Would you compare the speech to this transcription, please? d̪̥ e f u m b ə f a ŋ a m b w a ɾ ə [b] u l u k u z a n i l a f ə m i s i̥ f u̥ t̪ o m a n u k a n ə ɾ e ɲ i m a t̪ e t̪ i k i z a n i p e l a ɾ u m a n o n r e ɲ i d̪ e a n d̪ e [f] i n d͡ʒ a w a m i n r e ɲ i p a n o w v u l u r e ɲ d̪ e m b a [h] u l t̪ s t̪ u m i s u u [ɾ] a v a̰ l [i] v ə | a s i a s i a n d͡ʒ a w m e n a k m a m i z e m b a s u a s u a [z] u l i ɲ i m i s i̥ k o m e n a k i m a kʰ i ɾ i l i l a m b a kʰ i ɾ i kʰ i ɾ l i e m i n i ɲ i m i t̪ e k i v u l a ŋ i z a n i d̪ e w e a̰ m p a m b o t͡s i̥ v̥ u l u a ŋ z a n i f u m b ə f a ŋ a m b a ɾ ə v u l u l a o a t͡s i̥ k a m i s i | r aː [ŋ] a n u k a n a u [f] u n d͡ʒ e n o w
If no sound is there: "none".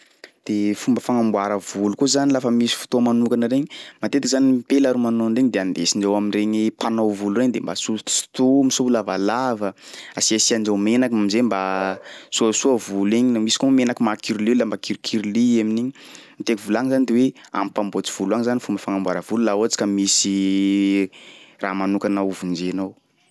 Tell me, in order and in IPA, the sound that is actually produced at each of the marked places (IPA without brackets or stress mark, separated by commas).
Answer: v, s, s, l, a, v, m, v